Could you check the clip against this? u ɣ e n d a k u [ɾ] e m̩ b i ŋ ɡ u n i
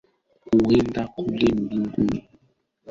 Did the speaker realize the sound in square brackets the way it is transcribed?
no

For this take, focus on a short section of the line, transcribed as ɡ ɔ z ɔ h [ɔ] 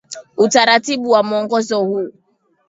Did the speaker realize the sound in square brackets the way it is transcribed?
no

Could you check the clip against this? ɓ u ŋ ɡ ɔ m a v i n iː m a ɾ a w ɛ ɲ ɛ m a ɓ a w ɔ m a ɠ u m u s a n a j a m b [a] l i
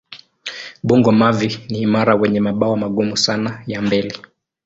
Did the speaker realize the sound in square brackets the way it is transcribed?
no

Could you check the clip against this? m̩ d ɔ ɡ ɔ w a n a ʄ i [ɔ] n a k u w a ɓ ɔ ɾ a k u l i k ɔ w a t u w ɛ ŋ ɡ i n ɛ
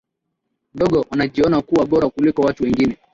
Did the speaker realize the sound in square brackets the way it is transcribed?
yes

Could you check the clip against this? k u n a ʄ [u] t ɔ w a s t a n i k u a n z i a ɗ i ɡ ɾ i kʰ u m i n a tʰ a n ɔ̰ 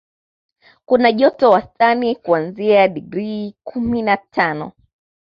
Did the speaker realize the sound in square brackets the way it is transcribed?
no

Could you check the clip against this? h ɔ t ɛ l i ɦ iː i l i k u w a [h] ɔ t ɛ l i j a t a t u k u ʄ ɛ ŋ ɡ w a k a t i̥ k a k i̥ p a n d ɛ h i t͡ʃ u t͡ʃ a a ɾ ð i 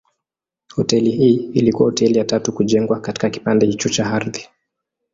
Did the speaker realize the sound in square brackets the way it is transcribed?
yes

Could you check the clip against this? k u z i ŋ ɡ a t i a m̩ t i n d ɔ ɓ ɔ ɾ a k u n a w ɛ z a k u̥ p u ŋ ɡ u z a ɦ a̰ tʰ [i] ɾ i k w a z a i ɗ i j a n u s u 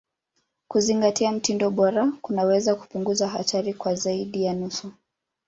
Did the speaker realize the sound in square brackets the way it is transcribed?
no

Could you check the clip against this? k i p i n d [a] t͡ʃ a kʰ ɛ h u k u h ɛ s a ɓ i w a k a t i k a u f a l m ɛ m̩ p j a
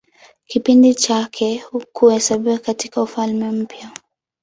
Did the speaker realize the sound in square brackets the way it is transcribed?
no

